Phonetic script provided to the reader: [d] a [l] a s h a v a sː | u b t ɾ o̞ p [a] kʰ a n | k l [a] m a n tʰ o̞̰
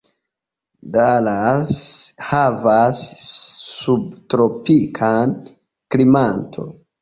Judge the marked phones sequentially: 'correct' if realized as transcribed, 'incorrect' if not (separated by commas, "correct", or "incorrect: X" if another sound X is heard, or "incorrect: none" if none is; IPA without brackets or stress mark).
correct, correct, incorrect: i, incorrect: i